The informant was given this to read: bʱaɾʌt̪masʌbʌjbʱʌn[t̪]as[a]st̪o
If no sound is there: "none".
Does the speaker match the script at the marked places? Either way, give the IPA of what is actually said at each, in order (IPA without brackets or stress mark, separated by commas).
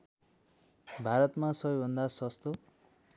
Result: d̪, ʌ